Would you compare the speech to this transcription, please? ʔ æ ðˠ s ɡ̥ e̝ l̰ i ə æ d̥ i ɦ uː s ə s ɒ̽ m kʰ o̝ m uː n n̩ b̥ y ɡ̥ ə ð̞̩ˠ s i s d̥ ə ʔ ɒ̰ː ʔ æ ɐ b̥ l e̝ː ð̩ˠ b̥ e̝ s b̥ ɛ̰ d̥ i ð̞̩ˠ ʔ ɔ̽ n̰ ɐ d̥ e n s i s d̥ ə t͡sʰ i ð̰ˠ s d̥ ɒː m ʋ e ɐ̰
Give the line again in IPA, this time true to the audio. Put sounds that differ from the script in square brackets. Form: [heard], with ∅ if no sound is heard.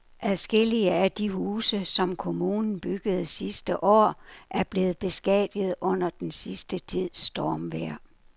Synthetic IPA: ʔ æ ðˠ s ɡ̥ e̝ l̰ i ə æ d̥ i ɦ uː s ə s ɒ̽ m kʰ o̝ m uː n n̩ b̥ y ɡ̥ ə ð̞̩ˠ s i s d̥ ə ʔ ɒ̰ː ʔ æ ɐ b̥ l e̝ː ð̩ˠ b̥ e̝ s [ɡ̥] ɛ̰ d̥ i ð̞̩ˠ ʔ ɔ̽ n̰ ɐ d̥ e n s i s d̥ ə t͡sʰ i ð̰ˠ s d̥ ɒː m ʋ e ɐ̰